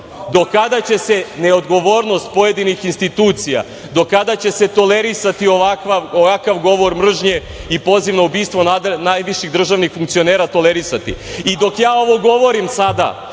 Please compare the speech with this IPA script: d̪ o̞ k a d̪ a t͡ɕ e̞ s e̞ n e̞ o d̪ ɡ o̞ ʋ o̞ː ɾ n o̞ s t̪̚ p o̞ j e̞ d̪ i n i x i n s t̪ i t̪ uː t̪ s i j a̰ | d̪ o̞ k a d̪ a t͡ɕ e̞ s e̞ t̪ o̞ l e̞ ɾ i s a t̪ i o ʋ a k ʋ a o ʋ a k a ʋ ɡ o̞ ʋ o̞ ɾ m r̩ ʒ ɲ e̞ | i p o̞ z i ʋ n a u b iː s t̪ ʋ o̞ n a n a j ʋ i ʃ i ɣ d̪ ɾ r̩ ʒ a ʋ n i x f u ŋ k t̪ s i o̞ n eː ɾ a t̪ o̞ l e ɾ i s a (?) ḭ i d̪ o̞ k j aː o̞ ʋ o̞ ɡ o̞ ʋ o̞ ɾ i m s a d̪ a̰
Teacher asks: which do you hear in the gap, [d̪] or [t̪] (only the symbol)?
t̪